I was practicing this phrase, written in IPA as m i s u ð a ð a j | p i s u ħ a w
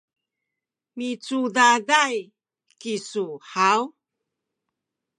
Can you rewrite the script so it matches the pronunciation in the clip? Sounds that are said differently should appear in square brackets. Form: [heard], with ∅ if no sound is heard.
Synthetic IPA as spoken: m i [t͡s] u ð a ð a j | [k] i s u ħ a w